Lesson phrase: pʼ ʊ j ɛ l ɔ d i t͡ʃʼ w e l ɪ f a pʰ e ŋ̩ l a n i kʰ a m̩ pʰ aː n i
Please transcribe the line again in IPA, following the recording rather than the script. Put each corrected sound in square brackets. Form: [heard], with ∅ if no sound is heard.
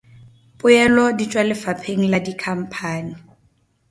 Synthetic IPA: pʼ ʊ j ɛ l ɔ d i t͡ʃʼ w [a] l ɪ f a pʰ e ŋ̩ l a [d] i kʰ a m̩ pʰ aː n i